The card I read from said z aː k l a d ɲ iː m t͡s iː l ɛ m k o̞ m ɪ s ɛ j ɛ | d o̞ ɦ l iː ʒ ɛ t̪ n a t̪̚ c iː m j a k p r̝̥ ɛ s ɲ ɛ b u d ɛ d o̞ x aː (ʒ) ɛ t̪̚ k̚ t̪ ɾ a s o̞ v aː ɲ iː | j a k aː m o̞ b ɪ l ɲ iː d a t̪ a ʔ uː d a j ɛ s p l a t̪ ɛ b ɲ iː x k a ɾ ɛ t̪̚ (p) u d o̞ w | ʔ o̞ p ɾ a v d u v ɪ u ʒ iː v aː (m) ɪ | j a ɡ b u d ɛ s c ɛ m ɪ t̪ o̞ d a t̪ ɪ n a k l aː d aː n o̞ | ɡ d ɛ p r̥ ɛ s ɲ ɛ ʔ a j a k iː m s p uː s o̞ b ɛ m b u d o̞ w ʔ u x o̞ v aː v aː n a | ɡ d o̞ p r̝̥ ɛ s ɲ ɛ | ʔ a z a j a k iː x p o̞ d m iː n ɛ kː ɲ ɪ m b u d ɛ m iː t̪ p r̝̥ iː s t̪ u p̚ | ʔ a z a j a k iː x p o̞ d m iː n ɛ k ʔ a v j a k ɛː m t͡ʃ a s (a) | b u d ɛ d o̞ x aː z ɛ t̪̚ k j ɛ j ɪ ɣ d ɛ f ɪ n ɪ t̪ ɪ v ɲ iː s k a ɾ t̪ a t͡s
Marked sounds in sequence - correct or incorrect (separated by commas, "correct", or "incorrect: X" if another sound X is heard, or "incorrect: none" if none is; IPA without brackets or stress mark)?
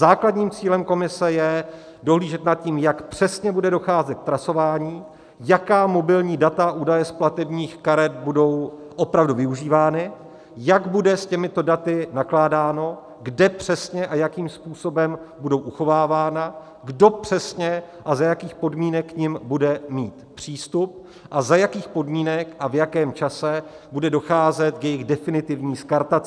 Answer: incorrect: z, incorrect: b, incorrect: n, incorrect: ɛ